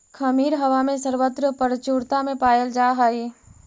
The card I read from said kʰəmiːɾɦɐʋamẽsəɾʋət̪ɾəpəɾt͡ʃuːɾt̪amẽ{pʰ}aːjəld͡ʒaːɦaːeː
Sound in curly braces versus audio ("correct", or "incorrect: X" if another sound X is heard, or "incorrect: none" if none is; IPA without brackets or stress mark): incorrect: p